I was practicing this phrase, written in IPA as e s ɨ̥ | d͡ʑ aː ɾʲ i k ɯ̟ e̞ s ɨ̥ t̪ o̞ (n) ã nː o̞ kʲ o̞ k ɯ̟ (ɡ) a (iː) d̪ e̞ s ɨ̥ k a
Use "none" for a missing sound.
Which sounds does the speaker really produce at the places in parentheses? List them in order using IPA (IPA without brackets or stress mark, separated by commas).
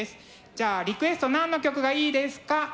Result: n, ɡ, iː